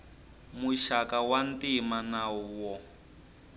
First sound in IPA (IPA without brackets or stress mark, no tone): m